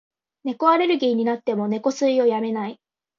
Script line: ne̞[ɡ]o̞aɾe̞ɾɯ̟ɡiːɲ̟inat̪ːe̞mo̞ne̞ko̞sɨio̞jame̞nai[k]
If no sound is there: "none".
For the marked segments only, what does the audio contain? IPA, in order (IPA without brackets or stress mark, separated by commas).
k, none